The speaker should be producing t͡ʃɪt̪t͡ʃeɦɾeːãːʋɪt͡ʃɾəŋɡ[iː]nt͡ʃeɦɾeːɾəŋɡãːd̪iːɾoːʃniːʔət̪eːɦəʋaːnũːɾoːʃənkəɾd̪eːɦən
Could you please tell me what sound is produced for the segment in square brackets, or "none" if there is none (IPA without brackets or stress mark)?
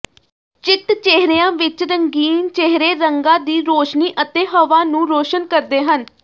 iː